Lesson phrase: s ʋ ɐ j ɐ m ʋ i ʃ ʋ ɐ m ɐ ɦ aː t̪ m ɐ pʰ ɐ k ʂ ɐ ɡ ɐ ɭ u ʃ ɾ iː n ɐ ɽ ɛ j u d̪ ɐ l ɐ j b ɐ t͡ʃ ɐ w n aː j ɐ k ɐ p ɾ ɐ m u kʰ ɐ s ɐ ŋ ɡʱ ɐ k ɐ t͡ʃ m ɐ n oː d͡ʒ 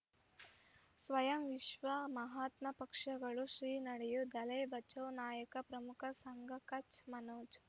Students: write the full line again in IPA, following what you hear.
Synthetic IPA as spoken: s ʋ ɐ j ɐ m ʋ i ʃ ʋ ɐ m ɐ ɦ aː t̪ m ɐ p ɐ k ʂ ɐ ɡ ɐ ɭ u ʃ ɾ iː n ɐ ɽ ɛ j u d̪ ɐ l ɐ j b ɐ t͡ʃ ɐ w n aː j ɐ k ɐ p ɾ ɐ m u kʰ ɐ s ɐ ŋ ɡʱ ɐ k ɐ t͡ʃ m ɐ n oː d͡ʒ